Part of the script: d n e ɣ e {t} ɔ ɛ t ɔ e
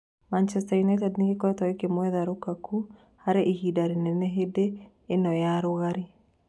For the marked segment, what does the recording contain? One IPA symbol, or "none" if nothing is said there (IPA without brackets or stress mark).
k